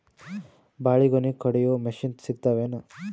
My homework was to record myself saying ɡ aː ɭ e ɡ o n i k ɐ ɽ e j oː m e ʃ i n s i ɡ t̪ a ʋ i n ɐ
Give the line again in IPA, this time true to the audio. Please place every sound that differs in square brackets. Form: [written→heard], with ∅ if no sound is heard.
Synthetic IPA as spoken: [ɡ→b] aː ɭ [e→i] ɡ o n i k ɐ ɽ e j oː m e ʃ i n s i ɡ t̪ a ʋ [i→e] n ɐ